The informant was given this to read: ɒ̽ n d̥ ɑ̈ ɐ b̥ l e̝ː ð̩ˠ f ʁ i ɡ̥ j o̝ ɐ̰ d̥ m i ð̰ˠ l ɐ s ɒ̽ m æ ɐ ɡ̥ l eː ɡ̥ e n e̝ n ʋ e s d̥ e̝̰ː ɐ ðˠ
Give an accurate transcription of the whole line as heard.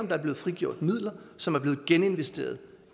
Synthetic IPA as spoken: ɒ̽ m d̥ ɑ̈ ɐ b̥ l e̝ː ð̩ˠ f ʁ i ɡ̥ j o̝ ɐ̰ d̥ m i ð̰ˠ l ɐ s ɒ̽ m æ ɐ b̥ l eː ɡ̥ e n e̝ n ʋ e s d̥ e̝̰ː ɐ ðˠ